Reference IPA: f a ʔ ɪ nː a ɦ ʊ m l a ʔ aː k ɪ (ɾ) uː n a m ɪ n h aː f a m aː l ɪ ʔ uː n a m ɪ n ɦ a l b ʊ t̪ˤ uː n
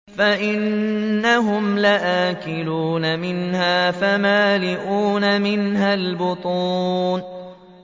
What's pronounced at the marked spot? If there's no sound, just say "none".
l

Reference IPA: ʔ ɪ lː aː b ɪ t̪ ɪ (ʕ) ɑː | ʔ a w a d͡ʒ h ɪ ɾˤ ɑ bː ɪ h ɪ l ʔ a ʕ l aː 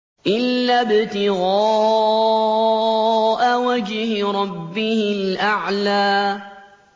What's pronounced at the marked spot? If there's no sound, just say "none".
ɣ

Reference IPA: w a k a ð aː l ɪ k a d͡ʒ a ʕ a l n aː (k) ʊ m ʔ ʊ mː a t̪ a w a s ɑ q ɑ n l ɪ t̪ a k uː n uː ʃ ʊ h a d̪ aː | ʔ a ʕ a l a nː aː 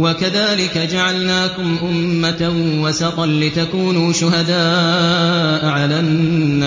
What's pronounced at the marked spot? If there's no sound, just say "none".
k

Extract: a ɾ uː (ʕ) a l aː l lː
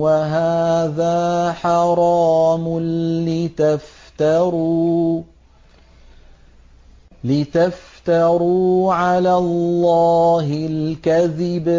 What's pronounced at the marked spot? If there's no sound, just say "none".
ʕ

